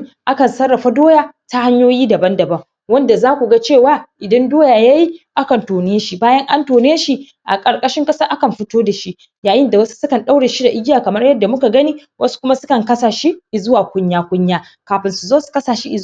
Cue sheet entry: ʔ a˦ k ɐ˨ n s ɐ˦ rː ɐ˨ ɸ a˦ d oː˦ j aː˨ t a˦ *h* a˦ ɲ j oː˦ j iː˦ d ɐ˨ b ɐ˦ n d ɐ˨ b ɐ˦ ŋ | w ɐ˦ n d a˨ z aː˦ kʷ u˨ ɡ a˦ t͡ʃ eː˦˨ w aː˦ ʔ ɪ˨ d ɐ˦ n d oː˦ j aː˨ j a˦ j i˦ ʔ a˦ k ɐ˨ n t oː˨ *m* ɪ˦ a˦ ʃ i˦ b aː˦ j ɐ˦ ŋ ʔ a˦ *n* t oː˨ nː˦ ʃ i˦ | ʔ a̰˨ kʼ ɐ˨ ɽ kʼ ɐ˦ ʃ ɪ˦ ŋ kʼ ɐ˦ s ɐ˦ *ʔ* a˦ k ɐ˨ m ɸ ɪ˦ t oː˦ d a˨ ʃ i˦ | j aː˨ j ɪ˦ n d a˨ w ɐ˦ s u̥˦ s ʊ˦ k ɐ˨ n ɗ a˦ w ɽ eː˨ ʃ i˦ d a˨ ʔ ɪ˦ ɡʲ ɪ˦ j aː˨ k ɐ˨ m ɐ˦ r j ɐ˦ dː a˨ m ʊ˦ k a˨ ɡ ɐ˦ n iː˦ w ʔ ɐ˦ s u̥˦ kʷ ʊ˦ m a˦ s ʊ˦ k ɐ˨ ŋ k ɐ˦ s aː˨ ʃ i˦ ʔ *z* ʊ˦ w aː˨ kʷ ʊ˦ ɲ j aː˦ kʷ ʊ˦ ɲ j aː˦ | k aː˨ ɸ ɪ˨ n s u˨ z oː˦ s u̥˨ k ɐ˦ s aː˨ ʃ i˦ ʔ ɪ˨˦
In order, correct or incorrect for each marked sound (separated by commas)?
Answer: correct, incorrect, correct, correct, correct